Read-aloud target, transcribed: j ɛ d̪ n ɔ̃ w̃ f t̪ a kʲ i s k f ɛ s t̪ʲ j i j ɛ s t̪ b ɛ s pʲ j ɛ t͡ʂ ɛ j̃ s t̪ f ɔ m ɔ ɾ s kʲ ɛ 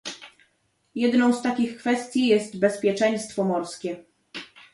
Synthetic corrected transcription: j ɛ d̪ n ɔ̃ w̃ s t̪ a kʲ i x k f ɛ s t̪ʲ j i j ɛ s t̪ b ɛ s pʲ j ɛ t͡ʂ ɛ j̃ s t̪ f ɔ m ɔ ɾ s kʲ ɛ